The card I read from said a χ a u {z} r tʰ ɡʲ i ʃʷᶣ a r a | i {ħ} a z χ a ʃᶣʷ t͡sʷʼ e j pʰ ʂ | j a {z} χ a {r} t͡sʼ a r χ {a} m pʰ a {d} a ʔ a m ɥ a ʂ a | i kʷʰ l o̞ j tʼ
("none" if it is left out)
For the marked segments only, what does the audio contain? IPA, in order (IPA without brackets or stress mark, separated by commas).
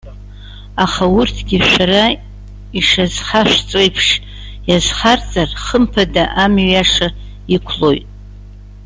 none, ʂ, z, r, ə, d